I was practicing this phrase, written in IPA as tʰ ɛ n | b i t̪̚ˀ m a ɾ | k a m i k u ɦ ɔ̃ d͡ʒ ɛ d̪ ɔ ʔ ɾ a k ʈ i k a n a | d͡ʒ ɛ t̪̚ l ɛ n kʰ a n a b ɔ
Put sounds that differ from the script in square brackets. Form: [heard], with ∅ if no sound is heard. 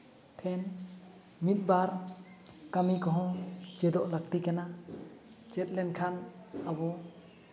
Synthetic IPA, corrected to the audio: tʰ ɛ n | [m] i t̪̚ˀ [b] a ɾ | k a m i k [ɔ] ɦ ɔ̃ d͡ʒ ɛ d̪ ɔ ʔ [l] a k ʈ i k a n a | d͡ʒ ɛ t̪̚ l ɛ n kʰ a n a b ɔ